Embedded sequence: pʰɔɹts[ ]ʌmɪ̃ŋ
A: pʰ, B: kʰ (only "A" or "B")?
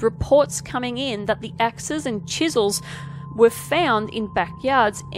B